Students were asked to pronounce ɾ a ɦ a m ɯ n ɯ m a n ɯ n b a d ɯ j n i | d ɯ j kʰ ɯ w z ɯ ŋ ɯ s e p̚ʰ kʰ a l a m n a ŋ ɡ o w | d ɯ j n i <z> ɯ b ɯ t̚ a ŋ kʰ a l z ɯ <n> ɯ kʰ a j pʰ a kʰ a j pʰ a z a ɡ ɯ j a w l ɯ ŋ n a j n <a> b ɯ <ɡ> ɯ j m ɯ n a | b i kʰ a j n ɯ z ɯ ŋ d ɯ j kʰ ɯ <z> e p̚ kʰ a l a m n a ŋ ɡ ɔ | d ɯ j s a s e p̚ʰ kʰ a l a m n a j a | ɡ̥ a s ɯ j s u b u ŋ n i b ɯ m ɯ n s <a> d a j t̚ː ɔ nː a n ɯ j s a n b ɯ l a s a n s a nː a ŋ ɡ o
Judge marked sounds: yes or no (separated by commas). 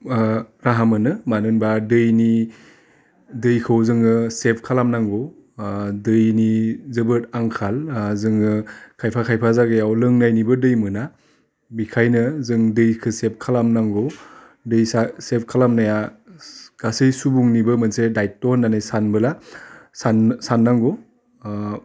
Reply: yes, no, no, no, no, no